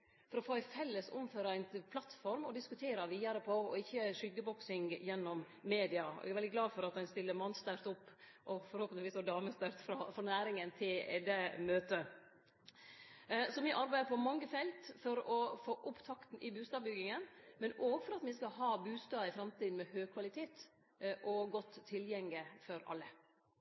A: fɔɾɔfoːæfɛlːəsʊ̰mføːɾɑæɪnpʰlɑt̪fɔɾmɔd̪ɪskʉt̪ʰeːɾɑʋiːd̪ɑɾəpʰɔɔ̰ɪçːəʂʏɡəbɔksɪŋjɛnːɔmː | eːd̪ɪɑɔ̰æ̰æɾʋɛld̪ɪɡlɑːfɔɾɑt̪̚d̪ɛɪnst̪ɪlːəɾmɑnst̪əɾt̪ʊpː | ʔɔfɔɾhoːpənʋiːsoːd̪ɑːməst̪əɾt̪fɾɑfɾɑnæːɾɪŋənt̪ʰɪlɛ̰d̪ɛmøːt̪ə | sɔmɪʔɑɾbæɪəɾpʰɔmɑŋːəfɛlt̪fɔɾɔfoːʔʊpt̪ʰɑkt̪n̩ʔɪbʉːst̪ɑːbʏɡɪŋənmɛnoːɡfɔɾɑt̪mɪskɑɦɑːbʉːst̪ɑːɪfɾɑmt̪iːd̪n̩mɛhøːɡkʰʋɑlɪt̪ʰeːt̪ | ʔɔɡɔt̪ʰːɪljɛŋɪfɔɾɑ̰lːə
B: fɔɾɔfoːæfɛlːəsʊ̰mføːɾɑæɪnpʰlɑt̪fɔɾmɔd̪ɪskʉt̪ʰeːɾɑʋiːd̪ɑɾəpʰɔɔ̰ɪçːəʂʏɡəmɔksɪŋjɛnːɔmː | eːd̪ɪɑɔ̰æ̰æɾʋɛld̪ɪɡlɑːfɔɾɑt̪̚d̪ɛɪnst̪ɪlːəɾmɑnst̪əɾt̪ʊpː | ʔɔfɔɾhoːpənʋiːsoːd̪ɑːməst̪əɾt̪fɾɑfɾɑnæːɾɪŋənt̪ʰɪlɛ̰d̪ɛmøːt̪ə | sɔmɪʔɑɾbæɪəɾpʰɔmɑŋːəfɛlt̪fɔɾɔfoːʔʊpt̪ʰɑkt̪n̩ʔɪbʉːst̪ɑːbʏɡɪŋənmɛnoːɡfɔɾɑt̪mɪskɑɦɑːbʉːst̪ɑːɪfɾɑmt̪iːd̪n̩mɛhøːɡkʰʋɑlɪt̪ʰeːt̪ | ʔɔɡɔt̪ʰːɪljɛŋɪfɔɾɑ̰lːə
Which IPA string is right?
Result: A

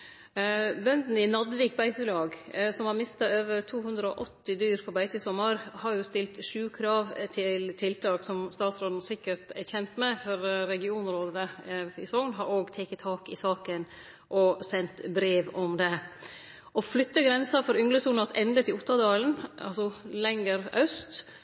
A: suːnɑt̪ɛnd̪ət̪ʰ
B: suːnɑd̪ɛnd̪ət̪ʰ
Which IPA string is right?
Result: A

